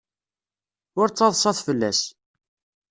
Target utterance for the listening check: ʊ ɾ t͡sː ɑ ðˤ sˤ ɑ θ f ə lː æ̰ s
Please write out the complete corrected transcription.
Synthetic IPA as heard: ʊ ɾ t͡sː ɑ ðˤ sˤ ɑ θ f ə lː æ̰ s